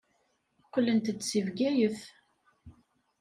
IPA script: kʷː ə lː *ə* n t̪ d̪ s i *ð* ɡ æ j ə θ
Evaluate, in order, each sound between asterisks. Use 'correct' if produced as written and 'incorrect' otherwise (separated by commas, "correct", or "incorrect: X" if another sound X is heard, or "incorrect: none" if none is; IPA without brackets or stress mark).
correct, incorrect: v